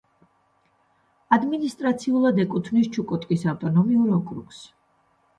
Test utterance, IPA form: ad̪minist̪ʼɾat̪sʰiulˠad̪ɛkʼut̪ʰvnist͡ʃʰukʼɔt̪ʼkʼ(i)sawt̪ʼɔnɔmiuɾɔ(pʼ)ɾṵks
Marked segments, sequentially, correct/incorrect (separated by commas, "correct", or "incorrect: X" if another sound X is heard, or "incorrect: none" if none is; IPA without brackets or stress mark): correct, incorrect: kʼ